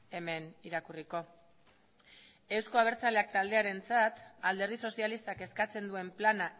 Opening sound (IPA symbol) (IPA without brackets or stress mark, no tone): e̞